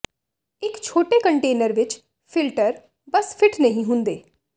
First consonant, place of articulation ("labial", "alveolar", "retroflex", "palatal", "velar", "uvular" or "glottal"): velar